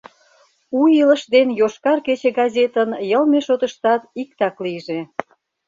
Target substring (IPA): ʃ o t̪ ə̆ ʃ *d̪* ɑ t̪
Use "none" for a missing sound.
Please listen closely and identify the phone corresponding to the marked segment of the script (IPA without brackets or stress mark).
t̪